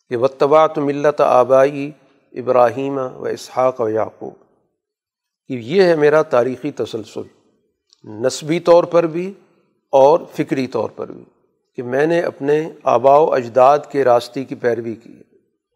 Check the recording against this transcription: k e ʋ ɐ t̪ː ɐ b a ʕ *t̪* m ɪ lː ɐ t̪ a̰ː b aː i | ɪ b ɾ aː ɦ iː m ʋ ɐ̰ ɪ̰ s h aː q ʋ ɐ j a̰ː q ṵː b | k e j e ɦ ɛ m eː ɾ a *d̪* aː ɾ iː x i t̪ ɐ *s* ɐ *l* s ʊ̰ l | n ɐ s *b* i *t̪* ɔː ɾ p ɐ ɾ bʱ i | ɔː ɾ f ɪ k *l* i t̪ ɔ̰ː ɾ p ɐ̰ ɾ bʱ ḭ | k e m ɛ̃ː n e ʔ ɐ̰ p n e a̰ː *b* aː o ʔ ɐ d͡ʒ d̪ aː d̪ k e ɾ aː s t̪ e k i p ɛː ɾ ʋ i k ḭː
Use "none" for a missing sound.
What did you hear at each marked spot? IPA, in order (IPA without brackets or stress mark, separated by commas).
t̪, t̪, s, l, b, t̪, ɾ, b